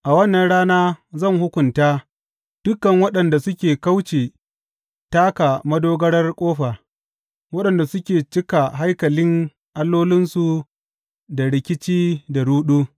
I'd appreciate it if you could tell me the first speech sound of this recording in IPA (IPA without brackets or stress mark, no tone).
ʔ